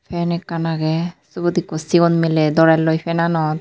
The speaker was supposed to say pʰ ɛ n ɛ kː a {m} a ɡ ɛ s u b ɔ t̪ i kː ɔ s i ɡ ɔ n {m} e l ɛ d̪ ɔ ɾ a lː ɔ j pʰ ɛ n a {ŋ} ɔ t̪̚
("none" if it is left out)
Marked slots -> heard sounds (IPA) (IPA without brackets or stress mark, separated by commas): n, m, n